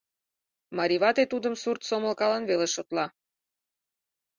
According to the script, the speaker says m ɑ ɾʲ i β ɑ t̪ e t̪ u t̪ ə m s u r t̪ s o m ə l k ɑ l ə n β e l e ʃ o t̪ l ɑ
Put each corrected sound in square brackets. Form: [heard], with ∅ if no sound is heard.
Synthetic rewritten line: m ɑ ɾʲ i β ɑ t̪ e t̪ u [d̪] ə m s u r t̪ s o m ə l k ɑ l [ɑ] n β e l e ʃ o t̪ l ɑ